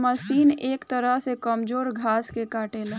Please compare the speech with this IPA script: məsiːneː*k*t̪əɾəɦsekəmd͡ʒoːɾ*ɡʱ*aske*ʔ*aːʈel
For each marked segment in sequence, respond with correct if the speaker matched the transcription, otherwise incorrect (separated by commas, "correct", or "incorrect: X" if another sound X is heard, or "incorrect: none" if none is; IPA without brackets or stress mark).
correct, correct, incorrect: k